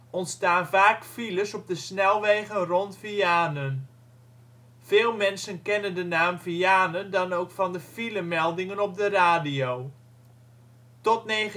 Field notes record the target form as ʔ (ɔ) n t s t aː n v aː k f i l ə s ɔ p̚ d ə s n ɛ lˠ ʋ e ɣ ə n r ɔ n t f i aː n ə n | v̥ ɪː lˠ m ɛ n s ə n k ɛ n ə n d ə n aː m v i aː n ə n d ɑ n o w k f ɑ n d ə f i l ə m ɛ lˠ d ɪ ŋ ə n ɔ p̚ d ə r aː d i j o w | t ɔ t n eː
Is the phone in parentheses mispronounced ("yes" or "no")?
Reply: no